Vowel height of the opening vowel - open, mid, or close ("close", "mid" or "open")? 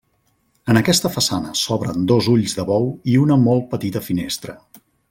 mid